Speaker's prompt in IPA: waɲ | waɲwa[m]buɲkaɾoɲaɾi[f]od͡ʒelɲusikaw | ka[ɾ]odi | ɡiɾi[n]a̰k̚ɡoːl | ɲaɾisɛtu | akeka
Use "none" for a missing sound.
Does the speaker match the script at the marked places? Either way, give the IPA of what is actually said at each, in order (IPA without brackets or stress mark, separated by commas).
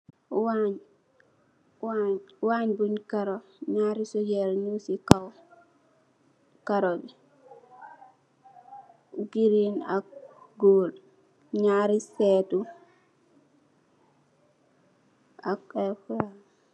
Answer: ɲ, s, ɾ, n